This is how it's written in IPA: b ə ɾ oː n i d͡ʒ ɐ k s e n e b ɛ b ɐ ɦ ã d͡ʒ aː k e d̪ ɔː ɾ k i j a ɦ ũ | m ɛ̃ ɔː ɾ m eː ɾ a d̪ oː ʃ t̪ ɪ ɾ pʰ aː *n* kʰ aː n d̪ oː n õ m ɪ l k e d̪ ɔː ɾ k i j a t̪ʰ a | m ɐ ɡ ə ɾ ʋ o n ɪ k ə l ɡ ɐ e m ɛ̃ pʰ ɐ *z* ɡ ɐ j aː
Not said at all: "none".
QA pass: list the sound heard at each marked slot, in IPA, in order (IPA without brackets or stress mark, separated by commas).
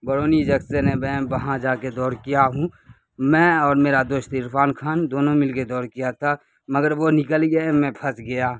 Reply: n, s